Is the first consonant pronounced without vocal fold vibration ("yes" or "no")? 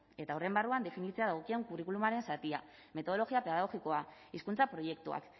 yes